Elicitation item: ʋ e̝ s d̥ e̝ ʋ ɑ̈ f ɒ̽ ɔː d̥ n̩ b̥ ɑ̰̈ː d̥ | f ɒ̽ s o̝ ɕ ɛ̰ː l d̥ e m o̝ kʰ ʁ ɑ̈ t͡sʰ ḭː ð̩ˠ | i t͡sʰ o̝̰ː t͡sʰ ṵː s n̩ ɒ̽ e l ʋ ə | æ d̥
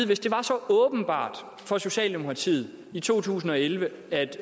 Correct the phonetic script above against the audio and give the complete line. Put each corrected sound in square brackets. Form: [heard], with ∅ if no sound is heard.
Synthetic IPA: ʋ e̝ s d̥ e̝ ʋ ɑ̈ [s] ɒ̽ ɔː [b̥] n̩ b̥ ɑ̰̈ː d̥ | f ɒ̽ s o̝ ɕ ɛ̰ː l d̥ e m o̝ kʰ ʁ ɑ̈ t͡sʰ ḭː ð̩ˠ | i t͡sʰ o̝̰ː t͡sʰ ṵː s n̩ ɒ̽ e l ʋ ə | æ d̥